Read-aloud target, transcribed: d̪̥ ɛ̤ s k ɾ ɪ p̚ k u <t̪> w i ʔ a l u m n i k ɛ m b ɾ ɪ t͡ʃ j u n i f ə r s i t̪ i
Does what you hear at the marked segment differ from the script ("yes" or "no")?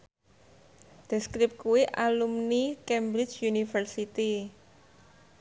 yes